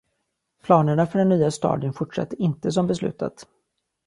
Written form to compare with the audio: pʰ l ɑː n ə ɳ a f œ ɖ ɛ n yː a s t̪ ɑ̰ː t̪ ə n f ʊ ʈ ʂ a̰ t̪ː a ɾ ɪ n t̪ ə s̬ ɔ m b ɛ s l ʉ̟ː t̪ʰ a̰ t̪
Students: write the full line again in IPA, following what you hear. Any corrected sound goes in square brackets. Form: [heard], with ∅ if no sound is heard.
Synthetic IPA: pʰ l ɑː n ə ɳ a f œ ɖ ɛ [nː] yː a s t̪ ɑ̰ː [d̪] ə n f ʊ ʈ ʂ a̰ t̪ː [ə] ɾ ɪ n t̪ ə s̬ ɔ m b ɛ s l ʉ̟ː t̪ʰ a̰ t̪